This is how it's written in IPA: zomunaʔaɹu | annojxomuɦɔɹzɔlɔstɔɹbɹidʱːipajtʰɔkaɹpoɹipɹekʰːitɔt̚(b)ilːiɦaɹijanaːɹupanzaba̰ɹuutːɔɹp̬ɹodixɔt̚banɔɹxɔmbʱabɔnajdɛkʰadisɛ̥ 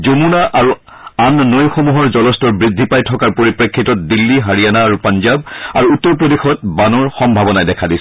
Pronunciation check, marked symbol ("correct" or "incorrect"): incorrect